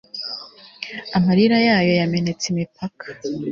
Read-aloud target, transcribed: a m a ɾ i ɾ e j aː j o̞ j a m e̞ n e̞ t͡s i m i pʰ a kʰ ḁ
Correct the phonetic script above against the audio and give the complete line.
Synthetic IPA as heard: a m a ɾ i ɾ a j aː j o̞ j a m e̞ n e̞ t͡s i m i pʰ a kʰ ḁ